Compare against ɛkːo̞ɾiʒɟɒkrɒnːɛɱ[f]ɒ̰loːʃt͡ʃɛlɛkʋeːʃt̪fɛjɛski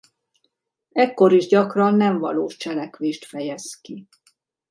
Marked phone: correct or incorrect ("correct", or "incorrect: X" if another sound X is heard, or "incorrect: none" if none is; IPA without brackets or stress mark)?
incorrect: v